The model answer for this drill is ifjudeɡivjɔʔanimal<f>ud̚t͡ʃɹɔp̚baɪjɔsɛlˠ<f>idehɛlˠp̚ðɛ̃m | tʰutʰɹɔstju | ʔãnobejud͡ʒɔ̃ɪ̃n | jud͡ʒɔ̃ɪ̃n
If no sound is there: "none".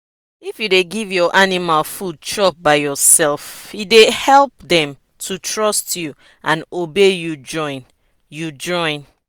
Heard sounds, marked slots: f, f

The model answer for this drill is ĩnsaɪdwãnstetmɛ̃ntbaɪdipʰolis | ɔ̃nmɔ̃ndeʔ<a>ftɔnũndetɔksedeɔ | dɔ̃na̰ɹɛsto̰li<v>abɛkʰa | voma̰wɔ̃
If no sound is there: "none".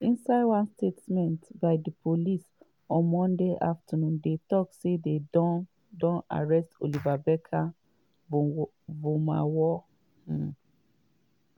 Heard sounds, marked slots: a, v

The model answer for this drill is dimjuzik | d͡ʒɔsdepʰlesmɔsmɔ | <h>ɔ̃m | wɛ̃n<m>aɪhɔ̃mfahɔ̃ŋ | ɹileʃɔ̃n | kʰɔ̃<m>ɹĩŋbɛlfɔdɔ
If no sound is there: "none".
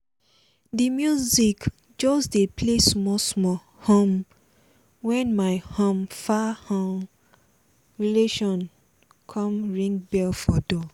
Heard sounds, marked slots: h, m, m

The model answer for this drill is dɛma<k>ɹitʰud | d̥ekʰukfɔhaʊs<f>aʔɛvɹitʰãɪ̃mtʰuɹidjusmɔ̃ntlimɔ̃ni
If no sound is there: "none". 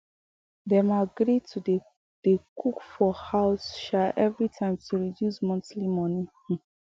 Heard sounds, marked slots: ɡ, ʃ

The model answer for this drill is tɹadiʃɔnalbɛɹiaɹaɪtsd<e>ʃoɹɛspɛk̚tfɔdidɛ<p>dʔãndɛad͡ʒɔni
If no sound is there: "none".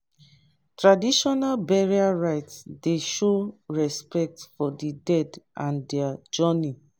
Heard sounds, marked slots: e, none

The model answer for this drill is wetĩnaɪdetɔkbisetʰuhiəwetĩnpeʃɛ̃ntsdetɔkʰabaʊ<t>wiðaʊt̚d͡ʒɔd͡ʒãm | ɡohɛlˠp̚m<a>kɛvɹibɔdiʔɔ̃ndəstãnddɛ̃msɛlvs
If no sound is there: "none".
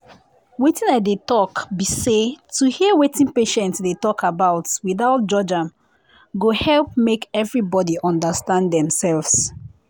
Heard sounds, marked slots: t, e

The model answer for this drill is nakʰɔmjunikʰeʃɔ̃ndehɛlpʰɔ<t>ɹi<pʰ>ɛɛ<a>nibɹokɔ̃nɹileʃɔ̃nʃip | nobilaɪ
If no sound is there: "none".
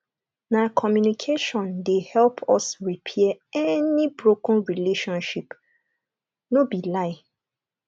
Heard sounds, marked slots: s, pʰ, ɛ

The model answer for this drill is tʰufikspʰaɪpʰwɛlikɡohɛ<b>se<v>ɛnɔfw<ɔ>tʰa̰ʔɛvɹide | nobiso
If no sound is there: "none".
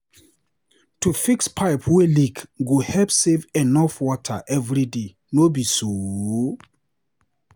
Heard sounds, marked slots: p, v, ɔ

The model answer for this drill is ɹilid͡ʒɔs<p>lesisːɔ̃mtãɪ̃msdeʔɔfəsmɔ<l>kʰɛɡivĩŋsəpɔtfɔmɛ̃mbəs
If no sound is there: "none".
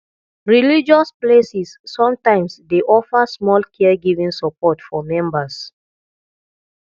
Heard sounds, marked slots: p, l

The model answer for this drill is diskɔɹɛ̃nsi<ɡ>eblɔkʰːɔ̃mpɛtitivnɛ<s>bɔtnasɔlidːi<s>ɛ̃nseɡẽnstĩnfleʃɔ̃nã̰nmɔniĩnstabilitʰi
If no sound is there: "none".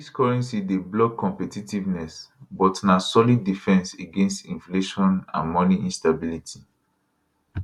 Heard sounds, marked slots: d, s, f

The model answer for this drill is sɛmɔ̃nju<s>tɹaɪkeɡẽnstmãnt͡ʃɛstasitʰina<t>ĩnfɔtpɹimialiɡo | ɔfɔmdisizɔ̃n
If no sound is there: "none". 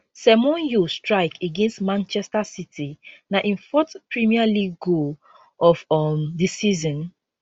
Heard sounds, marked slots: s, ʔ

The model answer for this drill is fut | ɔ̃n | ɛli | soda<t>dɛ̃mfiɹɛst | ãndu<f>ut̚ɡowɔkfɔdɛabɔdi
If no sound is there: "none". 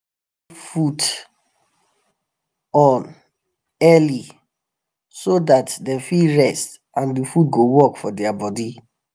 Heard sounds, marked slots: t, f

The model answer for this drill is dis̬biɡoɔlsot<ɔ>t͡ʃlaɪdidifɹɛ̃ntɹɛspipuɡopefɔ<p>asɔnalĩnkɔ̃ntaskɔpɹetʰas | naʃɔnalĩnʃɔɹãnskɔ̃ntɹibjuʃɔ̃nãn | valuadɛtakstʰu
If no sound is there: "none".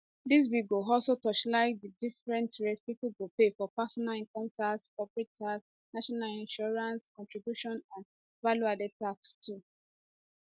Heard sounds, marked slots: ɔ, p

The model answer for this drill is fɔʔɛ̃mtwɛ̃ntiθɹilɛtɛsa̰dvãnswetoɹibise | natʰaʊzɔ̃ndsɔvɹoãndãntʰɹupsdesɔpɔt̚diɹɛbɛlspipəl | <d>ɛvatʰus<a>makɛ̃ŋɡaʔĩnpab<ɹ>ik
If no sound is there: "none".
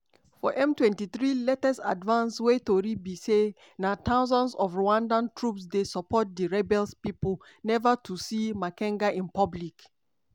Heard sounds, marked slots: n, i, l

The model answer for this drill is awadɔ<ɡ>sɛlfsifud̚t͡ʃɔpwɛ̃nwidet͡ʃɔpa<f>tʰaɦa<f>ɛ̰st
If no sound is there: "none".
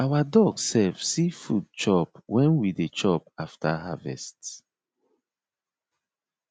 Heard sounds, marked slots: ɡ, f, v

